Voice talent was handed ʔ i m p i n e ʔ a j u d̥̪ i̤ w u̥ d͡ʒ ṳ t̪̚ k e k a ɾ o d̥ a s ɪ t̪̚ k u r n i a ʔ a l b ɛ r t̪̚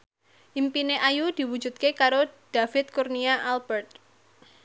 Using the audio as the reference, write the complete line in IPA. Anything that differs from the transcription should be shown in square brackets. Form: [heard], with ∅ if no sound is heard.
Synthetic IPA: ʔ i m p i n e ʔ a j u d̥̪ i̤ w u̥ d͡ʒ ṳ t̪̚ k e k a ɾ o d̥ a [f] ɪ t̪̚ k u r n i a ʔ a l b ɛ r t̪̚